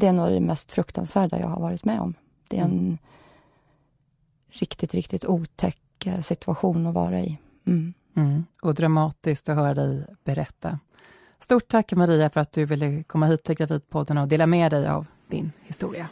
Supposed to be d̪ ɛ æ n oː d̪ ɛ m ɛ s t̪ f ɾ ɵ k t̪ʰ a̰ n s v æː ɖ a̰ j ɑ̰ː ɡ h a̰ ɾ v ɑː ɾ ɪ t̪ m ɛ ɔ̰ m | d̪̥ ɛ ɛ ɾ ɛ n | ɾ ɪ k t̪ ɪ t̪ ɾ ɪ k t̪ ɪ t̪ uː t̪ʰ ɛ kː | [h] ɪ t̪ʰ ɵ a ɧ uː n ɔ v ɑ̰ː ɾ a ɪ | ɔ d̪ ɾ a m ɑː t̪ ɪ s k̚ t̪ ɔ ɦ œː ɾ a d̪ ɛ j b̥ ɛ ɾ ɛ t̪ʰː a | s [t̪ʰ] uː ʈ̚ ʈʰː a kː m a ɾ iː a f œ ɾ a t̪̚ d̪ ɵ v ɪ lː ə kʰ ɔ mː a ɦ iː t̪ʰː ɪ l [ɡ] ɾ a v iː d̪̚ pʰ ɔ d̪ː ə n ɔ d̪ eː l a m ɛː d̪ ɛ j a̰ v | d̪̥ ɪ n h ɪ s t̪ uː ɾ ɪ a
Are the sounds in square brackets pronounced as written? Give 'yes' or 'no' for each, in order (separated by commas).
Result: no, no, yes